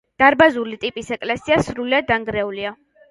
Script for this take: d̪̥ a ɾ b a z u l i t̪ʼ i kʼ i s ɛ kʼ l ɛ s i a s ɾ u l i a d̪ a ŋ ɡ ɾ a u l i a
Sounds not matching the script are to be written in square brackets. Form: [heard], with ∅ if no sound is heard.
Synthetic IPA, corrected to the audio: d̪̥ a ɾ b a z u l i t̪ʼ i [pʼ] i s ɛ kʼ l ɛ s i a s ɾ u l i a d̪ a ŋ ɡ ɾ [ɛ] u l i a